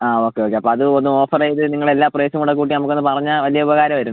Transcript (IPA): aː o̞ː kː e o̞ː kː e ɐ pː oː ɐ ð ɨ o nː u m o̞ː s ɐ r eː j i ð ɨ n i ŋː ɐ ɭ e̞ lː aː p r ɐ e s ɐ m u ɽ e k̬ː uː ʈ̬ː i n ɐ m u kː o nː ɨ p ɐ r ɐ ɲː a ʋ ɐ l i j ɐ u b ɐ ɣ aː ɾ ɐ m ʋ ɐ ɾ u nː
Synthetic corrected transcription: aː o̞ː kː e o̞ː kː e ɐ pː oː ɐ ð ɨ o nː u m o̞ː f ɐ r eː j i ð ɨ n i ŋː ɐ ɭ e̞ lː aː p r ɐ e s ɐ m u ɽ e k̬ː uː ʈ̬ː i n ɐ m u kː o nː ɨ p ɐ r ɐ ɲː a ʋ ɐ l i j ɐ u b ɐ ɣ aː ɾ ɐ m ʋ ɐ ɾ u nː